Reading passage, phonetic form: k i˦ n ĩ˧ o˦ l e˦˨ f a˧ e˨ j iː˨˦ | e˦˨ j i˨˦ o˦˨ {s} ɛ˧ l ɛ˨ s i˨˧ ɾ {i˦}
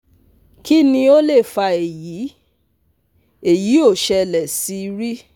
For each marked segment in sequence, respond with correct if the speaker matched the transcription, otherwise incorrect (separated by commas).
incorrect, correct